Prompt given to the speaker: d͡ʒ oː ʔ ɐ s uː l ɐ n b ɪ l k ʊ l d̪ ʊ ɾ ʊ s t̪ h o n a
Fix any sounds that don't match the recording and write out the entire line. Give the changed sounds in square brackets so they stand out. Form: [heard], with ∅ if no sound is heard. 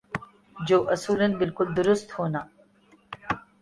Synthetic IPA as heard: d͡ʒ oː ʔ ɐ s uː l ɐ n b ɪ l k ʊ l d̪ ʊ ɾ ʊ s t̪ h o n a